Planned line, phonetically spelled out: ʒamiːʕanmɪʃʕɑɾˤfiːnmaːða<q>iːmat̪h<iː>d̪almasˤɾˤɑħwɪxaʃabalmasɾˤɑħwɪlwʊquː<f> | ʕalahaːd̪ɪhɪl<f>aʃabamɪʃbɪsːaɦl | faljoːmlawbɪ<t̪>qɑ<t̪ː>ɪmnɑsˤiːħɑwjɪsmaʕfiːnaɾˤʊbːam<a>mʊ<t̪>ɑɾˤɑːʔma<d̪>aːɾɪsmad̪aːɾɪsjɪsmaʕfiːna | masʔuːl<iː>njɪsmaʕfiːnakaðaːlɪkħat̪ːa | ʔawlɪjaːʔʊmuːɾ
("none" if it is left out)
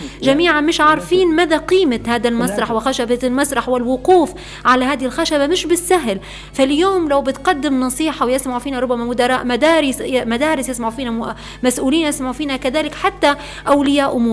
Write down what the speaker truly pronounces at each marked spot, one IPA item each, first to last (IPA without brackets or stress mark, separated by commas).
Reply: q, aː, f, x, t̪, d̪ː, a, d̪, d̪, iː